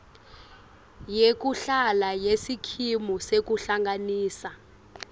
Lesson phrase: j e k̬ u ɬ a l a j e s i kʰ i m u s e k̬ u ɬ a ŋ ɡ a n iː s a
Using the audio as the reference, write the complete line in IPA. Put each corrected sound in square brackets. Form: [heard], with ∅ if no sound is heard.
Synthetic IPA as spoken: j e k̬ u ɬ a l a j e s i kʰ i m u s e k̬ u ɬ a ŋ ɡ a n iː s a